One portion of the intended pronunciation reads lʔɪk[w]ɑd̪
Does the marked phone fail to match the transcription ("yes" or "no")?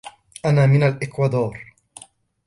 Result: no